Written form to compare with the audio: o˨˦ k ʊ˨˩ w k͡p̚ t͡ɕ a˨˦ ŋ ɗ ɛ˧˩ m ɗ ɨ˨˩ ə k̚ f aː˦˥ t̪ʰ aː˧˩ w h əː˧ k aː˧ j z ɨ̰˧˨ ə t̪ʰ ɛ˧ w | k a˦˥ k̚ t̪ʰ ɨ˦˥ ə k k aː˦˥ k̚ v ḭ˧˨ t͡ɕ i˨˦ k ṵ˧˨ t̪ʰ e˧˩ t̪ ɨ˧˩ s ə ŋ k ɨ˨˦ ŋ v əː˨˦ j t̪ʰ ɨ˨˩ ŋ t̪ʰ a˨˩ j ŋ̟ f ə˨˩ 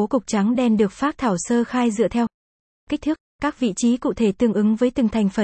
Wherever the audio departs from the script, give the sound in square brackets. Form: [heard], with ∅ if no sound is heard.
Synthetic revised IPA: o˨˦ k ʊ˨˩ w k͡p̚ t͡ɕ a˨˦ ŋ ɗ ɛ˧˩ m ɗ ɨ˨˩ ə k̚ f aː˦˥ t̪ʰ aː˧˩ w [s] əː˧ [x] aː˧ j z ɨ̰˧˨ ə t̪ʰ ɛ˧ w | k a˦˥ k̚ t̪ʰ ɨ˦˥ ə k k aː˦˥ k̚ v ḭ˧˨ t͡ɕ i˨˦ k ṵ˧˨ t̪ʰ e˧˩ t̪ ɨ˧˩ [∅] ə ŋ [ʔ] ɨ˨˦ ŋ v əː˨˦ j [t̪] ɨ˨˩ ŋ t̪ʰ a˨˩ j ŋ̟ f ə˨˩